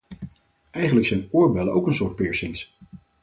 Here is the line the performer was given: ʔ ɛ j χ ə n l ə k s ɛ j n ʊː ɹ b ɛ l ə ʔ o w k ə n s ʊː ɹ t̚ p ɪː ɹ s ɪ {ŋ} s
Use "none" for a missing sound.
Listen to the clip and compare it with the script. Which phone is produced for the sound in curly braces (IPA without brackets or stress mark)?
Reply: ŋ